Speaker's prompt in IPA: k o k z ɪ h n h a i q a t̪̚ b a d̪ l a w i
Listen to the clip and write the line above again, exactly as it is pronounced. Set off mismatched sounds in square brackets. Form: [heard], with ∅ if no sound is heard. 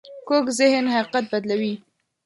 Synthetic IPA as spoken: k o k z ɪ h n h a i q a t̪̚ b a d̪ l a w i